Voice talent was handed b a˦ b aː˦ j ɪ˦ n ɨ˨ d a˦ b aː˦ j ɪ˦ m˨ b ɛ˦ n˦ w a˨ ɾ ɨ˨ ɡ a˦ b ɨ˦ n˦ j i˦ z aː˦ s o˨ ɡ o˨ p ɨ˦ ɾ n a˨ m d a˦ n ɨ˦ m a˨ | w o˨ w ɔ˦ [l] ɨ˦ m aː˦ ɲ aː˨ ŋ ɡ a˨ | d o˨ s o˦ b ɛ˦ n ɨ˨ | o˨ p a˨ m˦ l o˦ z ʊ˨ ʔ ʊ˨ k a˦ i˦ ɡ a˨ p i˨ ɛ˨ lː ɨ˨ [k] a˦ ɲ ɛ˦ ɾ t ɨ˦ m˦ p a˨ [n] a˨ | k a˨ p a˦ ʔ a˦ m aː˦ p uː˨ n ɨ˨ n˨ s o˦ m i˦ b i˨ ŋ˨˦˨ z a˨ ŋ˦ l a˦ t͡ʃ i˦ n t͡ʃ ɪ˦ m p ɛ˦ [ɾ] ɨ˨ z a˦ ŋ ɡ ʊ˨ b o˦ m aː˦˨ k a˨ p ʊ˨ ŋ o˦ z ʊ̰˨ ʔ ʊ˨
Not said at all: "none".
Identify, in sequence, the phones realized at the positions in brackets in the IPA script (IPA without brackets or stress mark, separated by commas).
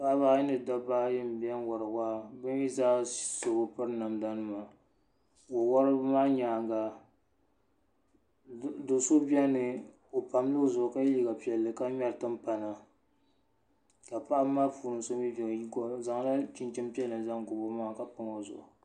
ɾ, k, n, l